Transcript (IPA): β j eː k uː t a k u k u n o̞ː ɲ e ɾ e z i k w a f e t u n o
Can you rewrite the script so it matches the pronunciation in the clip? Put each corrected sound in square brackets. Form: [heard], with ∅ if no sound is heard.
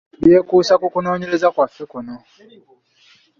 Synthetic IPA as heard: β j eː k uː [s] a k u k u n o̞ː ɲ e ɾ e z [a] k w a f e [k] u n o